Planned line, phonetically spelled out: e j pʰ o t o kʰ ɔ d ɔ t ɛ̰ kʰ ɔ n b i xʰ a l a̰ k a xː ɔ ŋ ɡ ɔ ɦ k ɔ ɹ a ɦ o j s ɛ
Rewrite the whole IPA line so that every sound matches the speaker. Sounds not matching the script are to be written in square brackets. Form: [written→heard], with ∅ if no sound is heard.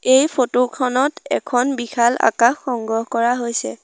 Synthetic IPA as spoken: e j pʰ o t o kʰ ɔ [d→n] ɔ t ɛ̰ kʰ ɔ n b i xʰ a l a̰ k a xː ɔ ŋ ɡ ɔ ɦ k ɔ ɹ a ɦ o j s ɛ